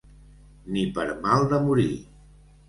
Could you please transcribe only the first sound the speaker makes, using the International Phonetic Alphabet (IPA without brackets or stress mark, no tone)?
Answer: n